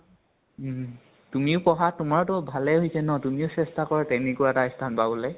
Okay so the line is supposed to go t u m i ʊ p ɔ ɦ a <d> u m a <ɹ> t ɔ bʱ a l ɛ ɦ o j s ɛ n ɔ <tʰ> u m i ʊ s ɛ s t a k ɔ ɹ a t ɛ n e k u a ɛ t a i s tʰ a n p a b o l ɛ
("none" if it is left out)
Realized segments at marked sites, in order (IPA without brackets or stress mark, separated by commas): t, ɹ, t